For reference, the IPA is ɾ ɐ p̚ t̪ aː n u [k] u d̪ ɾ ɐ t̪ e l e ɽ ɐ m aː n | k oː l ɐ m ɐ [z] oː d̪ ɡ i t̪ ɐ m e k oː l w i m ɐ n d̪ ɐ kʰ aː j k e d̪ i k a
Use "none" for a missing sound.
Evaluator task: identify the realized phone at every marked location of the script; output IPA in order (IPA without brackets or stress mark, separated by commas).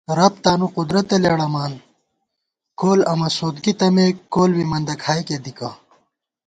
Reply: q, s